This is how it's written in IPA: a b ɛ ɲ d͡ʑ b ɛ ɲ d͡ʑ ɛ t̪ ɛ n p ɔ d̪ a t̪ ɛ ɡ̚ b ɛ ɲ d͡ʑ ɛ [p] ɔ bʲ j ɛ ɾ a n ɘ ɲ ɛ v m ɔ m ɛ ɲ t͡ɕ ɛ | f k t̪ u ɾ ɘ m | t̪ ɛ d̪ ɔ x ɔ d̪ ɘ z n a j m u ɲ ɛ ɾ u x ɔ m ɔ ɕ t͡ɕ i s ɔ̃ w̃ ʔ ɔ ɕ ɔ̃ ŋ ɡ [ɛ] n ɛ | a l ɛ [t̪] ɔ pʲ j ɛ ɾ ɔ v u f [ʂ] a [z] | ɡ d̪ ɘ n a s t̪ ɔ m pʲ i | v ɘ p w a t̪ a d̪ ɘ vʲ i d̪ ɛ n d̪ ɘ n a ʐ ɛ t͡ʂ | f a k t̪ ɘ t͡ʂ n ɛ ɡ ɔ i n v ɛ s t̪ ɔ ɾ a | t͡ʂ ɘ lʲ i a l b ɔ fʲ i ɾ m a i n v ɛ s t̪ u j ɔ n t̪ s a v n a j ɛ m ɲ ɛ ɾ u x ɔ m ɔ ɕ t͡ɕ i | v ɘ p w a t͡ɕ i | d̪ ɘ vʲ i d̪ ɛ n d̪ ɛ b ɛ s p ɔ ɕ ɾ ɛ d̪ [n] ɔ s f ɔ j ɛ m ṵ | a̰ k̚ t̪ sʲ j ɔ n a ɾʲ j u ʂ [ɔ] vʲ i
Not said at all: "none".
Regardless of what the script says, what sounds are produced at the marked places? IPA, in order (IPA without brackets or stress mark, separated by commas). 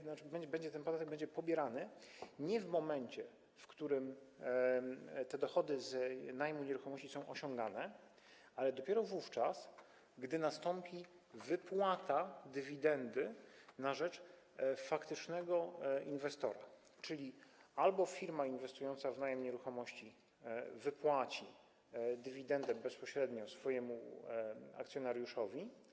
p, a, d̪, t͡ʂ, s, ɲ, ɔ